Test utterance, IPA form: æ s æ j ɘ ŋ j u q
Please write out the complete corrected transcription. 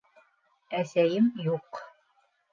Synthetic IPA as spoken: æ s æ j ɘ m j u q